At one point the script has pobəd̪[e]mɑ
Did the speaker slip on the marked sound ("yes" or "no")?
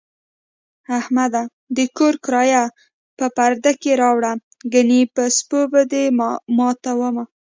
no